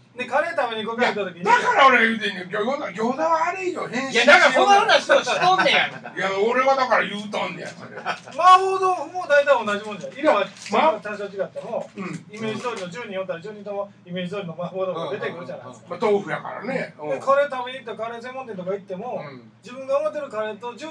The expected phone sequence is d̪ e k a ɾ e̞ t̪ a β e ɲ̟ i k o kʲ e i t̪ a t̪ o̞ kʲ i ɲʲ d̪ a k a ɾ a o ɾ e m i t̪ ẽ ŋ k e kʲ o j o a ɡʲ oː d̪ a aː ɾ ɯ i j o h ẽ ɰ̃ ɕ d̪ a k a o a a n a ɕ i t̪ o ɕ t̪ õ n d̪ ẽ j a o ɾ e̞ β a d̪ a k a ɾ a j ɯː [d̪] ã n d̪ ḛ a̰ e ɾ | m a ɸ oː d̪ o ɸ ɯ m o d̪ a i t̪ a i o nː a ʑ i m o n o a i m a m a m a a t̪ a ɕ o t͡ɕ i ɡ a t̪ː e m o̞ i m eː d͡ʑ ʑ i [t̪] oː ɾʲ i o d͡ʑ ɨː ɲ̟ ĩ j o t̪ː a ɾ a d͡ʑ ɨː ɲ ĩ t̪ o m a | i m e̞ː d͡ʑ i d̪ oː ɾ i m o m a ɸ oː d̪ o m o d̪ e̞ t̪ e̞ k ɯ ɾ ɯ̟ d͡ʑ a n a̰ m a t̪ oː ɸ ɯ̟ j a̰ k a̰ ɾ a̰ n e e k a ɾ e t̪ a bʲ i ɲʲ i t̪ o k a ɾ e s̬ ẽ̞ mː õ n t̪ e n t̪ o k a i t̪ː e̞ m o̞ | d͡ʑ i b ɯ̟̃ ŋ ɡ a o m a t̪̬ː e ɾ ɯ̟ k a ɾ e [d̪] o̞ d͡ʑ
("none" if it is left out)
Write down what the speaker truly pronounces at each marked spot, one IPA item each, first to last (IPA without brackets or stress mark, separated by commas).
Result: t̪, d̪, t̪